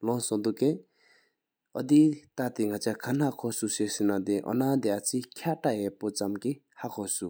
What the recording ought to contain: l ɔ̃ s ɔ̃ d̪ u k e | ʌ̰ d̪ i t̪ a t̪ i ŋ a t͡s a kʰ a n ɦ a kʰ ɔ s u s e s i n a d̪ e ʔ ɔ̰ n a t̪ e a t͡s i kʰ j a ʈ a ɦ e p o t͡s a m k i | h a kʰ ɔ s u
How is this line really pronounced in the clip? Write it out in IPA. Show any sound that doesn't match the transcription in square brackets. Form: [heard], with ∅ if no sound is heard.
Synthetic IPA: l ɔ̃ s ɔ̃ d̪ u k e | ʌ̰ d̪ i t̪ a t̪ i ŋ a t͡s a kʰ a n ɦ a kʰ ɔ s u s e s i n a d̪ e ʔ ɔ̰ n a [d̪] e a t͡s i kʰ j a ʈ a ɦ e p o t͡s a m k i | h a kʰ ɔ s u